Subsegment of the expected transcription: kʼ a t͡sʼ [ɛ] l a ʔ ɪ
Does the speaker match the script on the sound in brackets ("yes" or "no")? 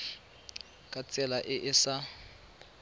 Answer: yes